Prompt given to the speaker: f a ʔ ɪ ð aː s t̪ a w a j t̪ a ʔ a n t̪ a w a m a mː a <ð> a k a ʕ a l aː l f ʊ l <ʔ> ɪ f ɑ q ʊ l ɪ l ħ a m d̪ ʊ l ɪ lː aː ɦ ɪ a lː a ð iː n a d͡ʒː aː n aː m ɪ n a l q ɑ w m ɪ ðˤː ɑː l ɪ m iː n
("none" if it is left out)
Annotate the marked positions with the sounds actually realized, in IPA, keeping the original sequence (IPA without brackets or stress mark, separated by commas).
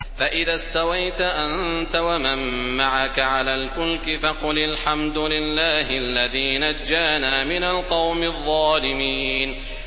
ʕ, k